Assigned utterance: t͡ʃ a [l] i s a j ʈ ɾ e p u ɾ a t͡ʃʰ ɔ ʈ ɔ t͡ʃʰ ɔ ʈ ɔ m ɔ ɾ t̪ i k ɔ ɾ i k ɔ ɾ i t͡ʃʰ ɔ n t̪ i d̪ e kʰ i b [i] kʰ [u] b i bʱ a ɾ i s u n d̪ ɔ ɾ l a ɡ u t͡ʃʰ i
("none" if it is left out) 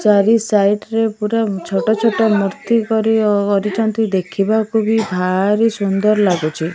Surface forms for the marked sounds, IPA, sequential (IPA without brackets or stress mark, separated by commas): ɾ, a, u